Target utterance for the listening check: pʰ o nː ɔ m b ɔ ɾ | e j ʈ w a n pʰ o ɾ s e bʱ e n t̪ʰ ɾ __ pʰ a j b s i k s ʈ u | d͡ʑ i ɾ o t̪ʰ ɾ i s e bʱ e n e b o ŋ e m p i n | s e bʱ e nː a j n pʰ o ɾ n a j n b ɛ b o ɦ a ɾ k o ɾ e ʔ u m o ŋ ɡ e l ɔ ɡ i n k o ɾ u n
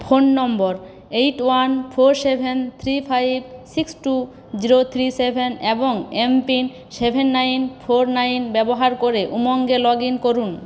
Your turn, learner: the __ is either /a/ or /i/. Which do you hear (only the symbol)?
i